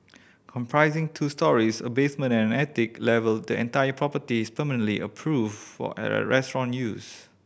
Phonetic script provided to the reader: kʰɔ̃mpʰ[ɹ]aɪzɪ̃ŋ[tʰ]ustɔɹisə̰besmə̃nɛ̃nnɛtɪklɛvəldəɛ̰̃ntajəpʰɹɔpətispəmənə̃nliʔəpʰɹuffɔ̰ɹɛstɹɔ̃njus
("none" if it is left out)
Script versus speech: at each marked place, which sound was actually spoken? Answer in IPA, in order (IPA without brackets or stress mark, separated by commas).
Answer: ɹ, tʰ